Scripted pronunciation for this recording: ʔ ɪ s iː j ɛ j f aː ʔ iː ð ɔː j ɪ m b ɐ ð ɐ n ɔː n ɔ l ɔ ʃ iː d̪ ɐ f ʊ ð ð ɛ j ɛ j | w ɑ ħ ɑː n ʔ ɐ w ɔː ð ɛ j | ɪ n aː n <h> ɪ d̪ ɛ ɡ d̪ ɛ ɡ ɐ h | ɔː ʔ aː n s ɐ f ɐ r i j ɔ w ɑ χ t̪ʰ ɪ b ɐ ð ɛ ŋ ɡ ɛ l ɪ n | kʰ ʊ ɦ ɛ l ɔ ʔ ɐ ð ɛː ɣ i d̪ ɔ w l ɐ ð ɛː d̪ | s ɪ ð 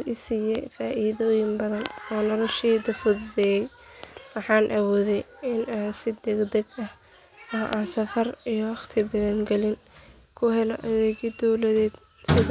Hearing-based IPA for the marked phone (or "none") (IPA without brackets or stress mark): s